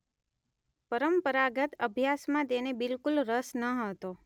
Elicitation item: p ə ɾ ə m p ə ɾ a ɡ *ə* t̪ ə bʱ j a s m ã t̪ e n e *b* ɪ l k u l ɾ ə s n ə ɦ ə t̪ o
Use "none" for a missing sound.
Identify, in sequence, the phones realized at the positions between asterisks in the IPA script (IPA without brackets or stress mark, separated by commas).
ə, b